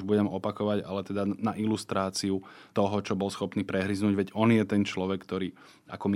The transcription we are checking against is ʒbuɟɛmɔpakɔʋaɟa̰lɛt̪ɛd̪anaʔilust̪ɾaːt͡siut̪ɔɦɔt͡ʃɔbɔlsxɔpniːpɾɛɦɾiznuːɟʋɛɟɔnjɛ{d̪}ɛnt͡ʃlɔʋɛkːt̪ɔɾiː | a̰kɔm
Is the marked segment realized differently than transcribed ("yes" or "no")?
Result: yes